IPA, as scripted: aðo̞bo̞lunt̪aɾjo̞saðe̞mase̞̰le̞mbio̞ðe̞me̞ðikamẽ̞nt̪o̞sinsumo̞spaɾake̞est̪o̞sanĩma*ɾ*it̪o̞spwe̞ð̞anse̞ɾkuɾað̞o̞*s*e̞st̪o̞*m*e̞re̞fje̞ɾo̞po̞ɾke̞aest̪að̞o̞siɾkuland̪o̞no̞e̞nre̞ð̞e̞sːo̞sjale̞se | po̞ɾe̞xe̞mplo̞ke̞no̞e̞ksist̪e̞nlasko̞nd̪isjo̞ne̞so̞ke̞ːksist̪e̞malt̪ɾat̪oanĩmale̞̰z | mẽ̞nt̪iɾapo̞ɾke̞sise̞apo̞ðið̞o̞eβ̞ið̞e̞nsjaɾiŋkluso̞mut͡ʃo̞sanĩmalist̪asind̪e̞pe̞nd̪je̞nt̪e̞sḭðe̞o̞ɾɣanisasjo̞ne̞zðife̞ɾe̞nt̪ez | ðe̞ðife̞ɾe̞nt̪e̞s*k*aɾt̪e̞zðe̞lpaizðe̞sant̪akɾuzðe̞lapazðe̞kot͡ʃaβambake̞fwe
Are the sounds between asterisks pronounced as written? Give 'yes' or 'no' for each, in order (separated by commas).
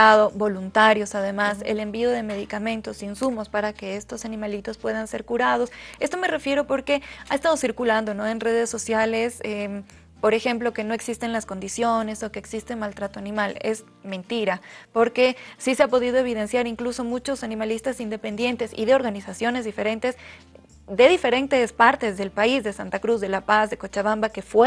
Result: no, yes, yes, no